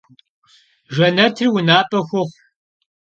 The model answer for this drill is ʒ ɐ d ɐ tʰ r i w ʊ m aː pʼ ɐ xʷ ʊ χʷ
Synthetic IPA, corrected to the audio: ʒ ɐ n ɐ tʰ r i w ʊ n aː pʼ ɐ xʷ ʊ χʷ